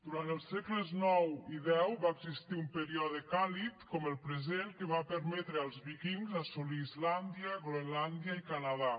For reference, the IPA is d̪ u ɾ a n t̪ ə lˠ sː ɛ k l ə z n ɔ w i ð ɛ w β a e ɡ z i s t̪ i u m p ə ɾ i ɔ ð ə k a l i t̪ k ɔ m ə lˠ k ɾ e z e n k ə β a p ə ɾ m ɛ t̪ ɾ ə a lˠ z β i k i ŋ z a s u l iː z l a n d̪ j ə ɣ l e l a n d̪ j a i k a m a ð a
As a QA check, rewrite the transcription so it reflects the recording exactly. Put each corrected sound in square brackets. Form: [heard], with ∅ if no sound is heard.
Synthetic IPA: d̪ u ɾ a n t̪ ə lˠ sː ɛ k l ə z n ɔ w i ð ɛ w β a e ɡ z i s t̪ i u m p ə ɾ i ɔ ð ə k a l i t̪ k ɔ m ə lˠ [p] ɾ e z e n k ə β a p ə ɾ m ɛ t̪ ɾ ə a lˠ z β i k i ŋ z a s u l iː z l a n d̪ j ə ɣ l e l a n d̪ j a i k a [n] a ð a